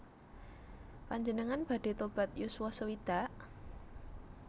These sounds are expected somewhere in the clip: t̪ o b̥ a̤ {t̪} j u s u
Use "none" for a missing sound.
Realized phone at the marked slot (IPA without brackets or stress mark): t̪